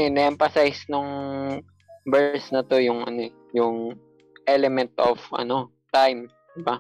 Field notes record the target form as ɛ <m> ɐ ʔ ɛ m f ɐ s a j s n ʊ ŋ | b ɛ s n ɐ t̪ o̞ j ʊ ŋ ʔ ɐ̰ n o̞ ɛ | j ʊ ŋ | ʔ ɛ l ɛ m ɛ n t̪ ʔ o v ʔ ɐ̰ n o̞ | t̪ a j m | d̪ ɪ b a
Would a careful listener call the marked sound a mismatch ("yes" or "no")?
yes